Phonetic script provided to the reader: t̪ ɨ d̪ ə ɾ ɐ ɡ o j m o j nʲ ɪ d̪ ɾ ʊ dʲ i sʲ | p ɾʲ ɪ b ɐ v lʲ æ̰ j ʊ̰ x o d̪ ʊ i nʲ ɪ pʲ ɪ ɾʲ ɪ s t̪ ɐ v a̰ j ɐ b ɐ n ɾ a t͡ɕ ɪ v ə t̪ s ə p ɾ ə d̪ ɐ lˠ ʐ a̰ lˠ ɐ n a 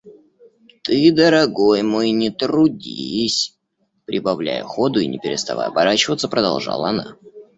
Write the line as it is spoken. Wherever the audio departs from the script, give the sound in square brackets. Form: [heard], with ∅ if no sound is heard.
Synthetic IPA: t̪ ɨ d̪ ə ɾ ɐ ɡ o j m o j nʲ ɪ [t̪] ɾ ʊ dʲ i sʲ | p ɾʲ ɪ b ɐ v lʲ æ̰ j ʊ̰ x o d̪ ʊ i nʲ ɪ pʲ ɪ ɾʲ ɪ s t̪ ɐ v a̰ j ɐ b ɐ [∅] ɾ a t͡ɕ ɪ v ə t̪ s ə p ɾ ə d̪ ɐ lˠ ʐ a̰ lˠ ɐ n a